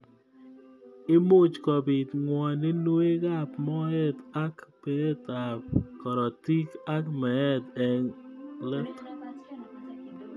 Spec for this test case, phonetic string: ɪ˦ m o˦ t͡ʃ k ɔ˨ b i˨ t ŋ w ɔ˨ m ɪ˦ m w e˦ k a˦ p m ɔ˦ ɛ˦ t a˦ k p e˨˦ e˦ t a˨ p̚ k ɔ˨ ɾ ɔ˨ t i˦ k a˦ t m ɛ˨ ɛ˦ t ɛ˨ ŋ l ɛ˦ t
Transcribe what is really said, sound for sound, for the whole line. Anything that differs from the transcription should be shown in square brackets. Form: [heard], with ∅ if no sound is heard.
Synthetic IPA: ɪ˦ m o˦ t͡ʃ k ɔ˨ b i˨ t ŋ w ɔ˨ [n] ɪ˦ [n] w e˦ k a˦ p m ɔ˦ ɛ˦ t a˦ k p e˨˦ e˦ t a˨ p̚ k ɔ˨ ɾ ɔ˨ t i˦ k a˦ [k] m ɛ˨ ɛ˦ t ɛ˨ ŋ l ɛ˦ t